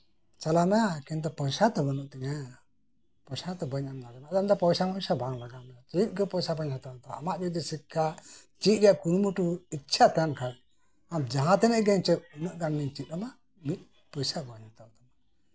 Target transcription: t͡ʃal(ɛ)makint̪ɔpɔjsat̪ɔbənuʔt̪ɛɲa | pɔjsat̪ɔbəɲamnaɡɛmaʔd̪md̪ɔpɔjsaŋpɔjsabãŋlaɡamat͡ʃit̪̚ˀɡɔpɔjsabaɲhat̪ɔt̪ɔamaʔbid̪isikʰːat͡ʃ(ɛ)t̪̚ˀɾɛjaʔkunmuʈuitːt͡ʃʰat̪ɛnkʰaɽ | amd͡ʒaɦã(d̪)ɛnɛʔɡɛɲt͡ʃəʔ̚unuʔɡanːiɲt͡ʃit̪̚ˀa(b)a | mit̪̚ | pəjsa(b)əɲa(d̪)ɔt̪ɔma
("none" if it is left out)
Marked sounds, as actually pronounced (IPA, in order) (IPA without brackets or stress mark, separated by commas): a, i, t̪, m, b, t̪